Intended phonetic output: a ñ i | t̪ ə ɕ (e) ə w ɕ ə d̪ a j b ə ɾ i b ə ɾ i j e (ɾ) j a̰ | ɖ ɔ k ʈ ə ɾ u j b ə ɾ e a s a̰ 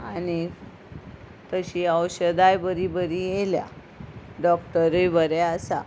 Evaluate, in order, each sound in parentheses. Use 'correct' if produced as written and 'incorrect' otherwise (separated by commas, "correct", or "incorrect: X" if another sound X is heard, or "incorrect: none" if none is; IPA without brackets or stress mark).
incorrect: i, incorrect: l